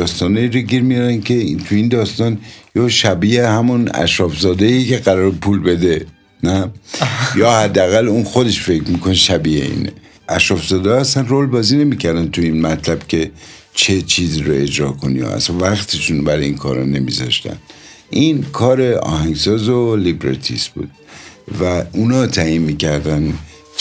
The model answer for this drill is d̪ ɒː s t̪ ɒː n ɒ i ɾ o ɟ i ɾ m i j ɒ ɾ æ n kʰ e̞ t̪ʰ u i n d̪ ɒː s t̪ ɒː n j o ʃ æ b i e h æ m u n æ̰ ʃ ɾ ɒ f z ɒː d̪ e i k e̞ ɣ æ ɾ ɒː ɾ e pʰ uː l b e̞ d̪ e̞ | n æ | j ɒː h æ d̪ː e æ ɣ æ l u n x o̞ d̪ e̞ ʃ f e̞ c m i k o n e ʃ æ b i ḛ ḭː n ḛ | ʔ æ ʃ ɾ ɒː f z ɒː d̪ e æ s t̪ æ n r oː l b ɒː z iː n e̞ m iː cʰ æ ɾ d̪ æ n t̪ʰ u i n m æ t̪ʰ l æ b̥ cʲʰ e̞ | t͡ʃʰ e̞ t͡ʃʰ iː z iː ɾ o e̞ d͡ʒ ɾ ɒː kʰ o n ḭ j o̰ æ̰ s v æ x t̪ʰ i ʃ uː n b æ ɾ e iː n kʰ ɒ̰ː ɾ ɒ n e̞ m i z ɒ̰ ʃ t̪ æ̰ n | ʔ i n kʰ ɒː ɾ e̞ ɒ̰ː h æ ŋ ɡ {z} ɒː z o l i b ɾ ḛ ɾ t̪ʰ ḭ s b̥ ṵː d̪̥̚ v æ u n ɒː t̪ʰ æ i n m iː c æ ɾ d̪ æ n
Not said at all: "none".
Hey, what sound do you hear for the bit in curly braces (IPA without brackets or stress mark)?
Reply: s